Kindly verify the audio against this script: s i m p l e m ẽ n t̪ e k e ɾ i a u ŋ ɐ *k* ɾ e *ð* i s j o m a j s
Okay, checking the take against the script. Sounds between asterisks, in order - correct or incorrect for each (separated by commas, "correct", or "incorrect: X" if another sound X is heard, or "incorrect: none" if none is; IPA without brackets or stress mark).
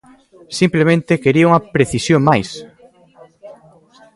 incorrect: p, incorrect: θ